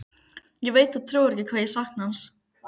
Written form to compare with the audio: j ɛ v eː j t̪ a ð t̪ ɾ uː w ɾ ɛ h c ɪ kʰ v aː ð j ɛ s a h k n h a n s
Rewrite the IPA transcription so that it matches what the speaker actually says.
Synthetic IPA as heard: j ɛ v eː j t̪ a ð t̪ʰ ɾ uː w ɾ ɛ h c ɪ kʰ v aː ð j ɛ s a h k n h a n s

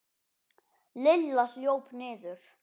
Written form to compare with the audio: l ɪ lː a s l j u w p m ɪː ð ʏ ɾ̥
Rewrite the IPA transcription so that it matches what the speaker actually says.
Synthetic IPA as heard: l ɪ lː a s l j o w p n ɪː ð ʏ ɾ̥

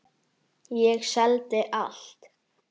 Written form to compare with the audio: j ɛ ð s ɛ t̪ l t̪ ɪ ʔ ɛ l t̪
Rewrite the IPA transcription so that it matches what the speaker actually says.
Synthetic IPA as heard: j ɛ ɣ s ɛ l t̪ ɪ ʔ a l t̪

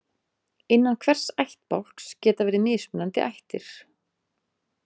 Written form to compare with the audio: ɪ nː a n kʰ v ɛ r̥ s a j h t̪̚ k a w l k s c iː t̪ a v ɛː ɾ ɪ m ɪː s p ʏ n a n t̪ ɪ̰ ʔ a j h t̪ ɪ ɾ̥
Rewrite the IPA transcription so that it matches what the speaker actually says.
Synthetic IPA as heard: ɪ nː a n kʰ v ɛ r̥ s a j h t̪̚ p a w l k s c ɛː t̪ a v ɛː ɾ ɪ m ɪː s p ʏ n a n t̪ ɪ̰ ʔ a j h t̪ ɪ ɾ̥

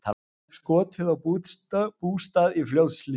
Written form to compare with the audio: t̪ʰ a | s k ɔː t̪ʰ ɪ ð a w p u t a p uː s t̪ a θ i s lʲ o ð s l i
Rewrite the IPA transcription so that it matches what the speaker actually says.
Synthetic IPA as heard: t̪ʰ a | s k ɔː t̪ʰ ɪ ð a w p u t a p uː s t̪ a ð i f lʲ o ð s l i

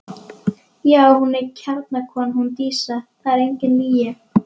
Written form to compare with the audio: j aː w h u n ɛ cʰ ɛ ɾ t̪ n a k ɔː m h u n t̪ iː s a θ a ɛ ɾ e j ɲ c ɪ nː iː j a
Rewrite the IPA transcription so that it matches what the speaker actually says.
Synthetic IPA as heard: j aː w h u n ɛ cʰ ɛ ɾ t̪ n a kʰ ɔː n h u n t̪ iː s a θ a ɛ ɾ e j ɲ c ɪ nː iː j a

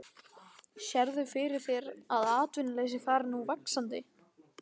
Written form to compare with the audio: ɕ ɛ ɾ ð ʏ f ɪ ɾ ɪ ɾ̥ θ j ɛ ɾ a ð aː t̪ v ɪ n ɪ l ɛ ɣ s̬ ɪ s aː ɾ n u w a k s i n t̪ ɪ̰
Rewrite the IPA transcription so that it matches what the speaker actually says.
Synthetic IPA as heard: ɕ ɛ ɾ ð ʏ f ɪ ɾ ɪ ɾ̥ θ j ɛ ɾ a ð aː t̪ v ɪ n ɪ l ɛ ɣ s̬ ɪ θ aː ɾ n u v a k s a n t̪ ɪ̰

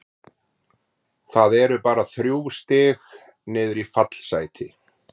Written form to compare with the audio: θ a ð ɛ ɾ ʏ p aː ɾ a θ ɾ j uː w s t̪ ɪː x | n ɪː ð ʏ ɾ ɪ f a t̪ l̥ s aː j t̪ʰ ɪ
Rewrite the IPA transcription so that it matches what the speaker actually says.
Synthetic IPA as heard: θ a ð ɛ ɾ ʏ p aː ɾ a θ ɾ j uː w s t̪ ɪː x | n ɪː ð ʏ ɾ i f a t̪ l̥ s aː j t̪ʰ ɪ

